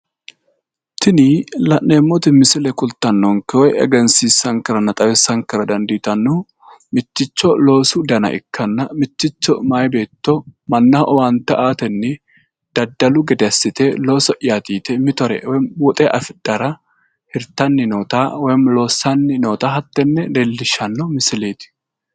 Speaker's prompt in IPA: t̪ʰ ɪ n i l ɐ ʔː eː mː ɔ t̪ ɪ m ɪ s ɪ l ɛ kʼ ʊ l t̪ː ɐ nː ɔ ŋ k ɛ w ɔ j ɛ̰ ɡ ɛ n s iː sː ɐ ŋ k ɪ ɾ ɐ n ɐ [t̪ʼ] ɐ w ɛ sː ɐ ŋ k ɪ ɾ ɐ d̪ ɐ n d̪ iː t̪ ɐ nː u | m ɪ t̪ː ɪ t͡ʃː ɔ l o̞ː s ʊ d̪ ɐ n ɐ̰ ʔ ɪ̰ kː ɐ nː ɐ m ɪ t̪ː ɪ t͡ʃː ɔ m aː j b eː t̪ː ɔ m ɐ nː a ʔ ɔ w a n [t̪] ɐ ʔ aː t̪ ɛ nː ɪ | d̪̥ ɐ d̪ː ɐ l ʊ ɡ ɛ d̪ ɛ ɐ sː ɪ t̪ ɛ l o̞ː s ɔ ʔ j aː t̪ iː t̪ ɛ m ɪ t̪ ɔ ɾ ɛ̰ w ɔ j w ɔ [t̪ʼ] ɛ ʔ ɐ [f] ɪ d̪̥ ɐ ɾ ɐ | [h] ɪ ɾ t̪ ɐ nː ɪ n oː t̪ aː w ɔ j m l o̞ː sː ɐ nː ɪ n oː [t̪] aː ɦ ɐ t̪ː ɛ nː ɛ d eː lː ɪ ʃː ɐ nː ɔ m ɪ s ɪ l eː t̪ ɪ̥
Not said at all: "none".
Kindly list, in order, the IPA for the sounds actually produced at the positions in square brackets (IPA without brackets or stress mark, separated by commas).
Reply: t̪ʼ, t̪, t̪ʼ, f, h, t̪